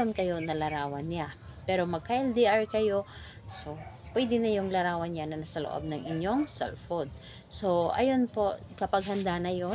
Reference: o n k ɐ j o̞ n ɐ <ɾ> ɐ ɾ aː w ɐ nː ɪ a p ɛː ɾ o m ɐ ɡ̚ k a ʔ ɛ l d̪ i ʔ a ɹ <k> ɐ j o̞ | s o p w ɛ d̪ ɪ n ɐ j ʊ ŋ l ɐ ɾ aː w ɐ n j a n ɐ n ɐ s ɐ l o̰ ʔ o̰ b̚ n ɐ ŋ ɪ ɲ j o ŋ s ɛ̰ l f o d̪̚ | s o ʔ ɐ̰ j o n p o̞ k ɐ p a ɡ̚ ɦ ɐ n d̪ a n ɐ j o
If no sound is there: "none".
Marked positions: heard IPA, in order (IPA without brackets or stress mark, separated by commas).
l, k